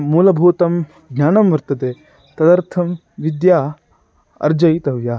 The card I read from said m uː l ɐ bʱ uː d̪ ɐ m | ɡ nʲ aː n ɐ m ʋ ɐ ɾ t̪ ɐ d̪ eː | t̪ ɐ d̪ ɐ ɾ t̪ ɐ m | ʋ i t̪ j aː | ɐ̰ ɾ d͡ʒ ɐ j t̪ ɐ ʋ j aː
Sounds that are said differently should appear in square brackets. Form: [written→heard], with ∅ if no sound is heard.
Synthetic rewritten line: m uː l ɐ bʱ uː [d̪→t̪] ɐ m | ɡ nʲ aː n ɐ m ʋ ɐ ɾ t̪ ɐ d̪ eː | t̪ ɐ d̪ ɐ ɾ [t̪→t̪ʰ] ɐ m | ʋ i [t̪→d̪] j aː | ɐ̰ ɾ d͡ʒ ɐ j t̪ ɐ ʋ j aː